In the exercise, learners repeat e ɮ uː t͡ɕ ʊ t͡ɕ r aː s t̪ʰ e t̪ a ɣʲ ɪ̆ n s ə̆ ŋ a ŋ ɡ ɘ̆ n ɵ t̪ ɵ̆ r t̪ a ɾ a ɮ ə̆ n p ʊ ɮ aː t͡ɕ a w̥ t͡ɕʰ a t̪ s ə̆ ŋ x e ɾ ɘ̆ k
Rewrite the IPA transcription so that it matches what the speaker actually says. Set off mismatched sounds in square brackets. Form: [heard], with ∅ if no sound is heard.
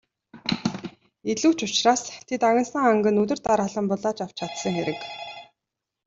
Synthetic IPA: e ɮ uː t͡ɕ ʊ t͡ɕ r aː s t̪ʰ e t̪ a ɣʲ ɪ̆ n s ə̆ ŋ a ŋ ɡ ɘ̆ n ɵ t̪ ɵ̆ r t̪ a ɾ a ɮ ə̆ [m] p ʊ ɮ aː t͡ɕ a w̥ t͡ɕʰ a t̪ s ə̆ ŋ x e ɾ ɘ̆ k